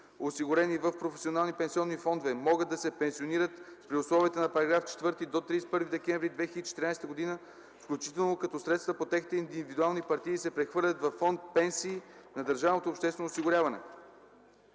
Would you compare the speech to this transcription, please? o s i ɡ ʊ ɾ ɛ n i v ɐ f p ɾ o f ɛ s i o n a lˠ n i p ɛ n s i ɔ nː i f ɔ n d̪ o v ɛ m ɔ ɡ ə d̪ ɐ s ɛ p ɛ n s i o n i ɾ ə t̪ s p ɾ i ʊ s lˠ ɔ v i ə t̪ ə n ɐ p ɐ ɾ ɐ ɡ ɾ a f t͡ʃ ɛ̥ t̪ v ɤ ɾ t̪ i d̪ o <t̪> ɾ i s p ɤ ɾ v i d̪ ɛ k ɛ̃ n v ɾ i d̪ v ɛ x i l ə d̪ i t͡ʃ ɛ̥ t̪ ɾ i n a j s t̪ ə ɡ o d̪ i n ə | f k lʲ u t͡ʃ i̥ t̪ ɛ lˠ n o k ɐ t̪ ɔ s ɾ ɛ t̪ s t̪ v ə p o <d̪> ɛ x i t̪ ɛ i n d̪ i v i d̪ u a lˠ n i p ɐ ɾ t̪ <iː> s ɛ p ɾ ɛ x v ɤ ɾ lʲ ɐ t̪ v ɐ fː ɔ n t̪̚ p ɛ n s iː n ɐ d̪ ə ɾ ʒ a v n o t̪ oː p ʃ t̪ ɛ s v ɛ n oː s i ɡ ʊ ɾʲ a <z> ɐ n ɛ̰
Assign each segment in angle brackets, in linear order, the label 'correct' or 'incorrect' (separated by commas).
correct, incorrect, correct, incorrect